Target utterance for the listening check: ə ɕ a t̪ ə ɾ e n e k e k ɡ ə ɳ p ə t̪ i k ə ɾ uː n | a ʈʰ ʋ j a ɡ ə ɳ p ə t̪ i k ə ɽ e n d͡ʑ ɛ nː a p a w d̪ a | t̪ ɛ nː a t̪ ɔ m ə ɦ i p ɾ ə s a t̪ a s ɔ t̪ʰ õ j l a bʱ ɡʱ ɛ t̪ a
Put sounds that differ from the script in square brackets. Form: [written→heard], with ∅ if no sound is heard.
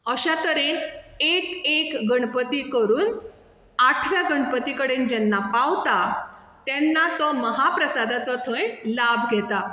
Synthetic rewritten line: ə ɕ a t̪ ə ɾ e n e k e k ɡ ə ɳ p ə t̪ i k ə ɾ uː n | a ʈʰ ʋ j a ɡ ə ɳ p ə t̪ i k ə ɽ e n d͡ʑ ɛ nː a p a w [d̪→t̪] a | t̪ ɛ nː a t̪ ɔ m ə ɦ [i→a] p ɾ ə s a [t̪→d̪] a [s→t͡s] ɔ t̪ʰ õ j l a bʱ ɡʱ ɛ t̪ a